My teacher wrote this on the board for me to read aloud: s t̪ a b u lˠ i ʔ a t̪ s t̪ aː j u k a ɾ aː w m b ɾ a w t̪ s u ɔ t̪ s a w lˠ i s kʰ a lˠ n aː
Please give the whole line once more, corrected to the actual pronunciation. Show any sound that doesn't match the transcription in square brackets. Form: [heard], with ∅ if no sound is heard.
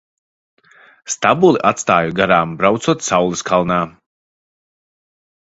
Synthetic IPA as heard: s t̪ a b u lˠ i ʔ a t̪ s t̪ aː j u [ɡ] a ɾ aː [∅] m b ɾ a w t̪ s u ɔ t̪ s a w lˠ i s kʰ a lˠ n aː